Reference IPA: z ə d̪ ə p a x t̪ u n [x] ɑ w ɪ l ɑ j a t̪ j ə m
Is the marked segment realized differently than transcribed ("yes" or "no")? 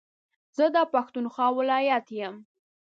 no